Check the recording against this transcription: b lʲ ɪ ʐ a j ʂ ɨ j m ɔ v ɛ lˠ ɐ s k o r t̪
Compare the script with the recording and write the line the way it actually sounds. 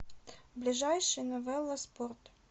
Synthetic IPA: b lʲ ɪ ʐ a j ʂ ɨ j n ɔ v ɛ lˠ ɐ s p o r t̪